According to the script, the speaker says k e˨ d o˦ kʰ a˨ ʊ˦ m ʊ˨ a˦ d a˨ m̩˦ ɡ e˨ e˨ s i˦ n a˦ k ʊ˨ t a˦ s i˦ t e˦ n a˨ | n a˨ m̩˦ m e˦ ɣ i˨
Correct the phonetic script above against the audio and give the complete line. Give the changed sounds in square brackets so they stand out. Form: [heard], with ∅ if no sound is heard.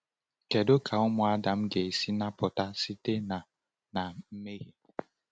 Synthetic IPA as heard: k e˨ d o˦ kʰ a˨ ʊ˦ m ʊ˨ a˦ d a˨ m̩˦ ɡ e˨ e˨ s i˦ n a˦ [p] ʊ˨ t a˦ s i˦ t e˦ n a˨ | n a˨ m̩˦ m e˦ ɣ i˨